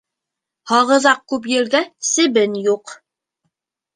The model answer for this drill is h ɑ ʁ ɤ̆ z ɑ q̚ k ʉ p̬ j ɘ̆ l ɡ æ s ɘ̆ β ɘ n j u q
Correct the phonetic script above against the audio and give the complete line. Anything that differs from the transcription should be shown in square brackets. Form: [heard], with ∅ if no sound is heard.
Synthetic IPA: h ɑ ʁ ɤ̆ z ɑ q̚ k ʉ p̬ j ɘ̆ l ɡ æ s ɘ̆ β ɘ n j u q